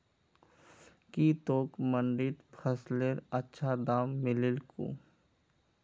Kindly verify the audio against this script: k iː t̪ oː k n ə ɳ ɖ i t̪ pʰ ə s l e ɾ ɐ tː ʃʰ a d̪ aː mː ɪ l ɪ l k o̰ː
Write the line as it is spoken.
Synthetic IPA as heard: k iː t̪ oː k m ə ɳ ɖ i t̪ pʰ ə s l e ɾ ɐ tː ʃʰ a d̪ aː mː ɪ l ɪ l k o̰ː